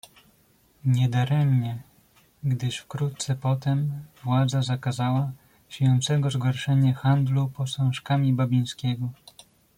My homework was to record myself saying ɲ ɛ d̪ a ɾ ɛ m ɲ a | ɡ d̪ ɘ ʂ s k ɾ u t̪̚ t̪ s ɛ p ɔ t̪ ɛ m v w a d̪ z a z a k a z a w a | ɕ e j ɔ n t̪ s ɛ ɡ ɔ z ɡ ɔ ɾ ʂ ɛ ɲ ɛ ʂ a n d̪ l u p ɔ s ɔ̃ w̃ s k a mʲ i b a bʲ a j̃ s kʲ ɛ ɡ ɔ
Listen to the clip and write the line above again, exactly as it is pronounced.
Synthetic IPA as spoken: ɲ ɛ d̪ a ɾ ɛ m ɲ ɛ | ɡ d̪ ɘ ʂ f k ɾ u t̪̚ t̪ s ɛ p ɔ t̪ ɛ m v w a d̪ z a z a k a z a w a | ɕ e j ɔ n t̪ s ɛ ɡ ɔ z ɡ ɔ ɾ ʂ ɛ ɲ ɛ x a n d̪ l u p ɔ s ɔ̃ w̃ ʂ k a mʲ i b a bʲ i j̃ s kʲ ɛ ɡ ɔ

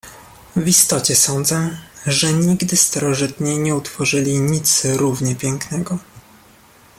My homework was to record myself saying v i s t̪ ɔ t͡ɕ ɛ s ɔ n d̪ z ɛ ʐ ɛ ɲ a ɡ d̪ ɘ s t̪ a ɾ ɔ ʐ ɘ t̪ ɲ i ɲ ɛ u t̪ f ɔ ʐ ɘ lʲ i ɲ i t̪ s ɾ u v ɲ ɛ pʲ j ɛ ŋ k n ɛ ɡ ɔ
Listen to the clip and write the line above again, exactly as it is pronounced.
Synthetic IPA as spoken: v i s t̪ ɔ t͡ɕ ɛ s ɔ n d̪ z ɛ ʐ ɛ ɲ i ɡ d̪ ɘ s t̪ a ɾ ɔ ʐ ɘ t̪ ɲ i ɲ ɛ u t̪ f ɔ ʐ ɘ lʲ i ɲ i t̪ s ɾ u v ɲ ɛ pʲ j ɛ ŋ k n ɛ ɡ ɔ

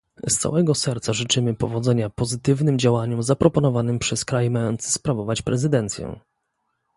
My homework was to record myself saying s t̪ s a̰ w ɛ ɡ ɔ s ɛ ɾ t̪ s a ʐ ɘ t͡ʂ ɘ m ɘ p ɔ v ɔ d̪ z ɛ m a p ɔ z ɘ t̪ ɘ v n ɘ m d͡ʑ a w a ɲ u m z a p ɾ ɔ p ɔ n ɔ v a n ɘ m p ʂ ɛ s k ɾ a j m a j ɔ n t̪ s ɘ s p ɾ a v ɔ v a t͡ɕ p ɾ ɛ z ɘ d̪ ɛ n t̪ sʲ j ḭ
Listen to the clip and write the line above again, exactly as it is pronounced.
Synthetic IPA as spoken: s t̪ s a̰ w ɛ ɡ ɔ s ɛ ɾ t̪ s a ʐ ɘ t͡ʂ ɘ m ɘ p ɔ v ɔ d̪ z ɛ ɲ a p ɔ z ɘ t̪ ɘ v n ɘ m d͡ʑ a w a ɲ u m z a p ɾ ɔ p ɔ n ɔ v a n ɘ m p ʂ ɛ s k ɾ a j m a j ɔ n t̪ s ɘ s p ɾ a v ɔ v a t͡ɕ p ɾ ɛ z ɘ d̪ ɛ n t̪ sʲ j ɛ̰

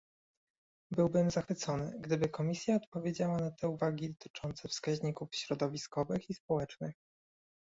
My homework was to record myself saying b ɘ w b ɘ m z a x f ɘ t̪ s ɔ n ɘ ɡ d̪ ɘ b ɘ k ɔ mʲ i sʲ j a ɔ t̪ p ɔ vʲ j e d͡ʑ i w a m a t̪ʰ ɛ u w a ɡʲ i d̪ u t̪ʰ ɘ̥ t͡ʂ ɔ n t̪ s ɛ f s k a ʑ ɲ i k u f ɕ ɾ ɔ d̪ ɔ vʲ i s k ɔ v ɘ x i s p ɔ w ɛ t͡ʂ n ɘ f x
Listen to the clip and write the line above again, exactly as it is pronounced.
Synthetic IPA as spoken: b ɘ w b ɘ m z a x f ɘ t̪ s ɔ n ɘ ɡ d̪ ɘ b ɘ k ɔ mʲ i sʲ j a ɔ t̪ p ɔ vʲ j e d͡ʑ a w a n a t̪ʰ ɛ u v a ɡʲ i d̪ ɔ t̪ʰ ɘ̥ t͡ʂ ɔ n t̪ s ɛ f s k a ʑ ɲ i k u f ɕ ɾ ɔ d̪ ɔ vʲ i s k ɔ v ɘ x i s p ɔ w ɛ t͡ʂ n ɘ x

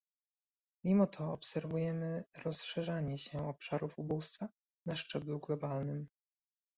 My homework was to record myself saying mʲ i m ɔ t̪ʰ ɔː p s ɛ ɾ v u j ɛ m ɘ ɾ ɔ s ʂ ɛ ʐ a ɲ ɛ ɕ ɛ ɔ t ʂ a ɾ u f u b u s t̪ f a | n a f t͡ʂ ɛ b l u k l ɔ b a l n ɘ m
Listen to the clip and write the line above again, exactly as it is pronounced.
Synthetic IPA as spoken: mʲ i m ɔ t̪ʰ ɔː p s ɛ ɾ v u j ɛ m ɘ ɾ ɔ s ʂ ɛ ʐ a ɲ ɛ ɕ ɛ ɔ p ʂ a ɾ u f u b u s t̪ f a | n a ʂ t͡ʂ ɛ b l u ɡ l ɔ b a l n ɘ m

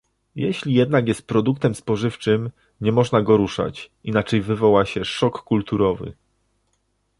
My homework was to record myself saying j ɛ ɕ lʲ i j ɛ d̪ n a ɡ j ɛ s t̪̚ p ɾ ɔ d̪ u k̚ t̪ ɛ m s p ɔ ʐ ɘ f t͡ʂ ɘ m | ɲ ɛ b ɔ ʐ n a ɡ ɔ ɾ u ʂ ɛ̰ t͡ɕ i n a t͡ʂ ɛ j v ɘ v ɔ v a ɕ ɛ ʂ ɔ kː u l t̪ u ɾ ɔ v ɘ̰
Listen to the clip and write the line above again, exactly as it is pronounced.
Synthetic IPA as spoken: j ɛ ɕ lʲ i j ɛ d̪ n a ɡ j ɛ s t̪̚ p ɾ ɔ d̪ u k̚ t̪ ɛ m s p ɔ ʐ ɘ f t͡ʂ ɘ m | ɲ ɛ m ɔ ʐ n a ɡ ɔ ɾ u ʂ a̰ t͡ɕ i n a t͡ʂ ɛ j v ɘ v ɔ w a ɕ ɛ ʂ ɔ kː u l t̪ u ɾ ɔ v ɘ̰

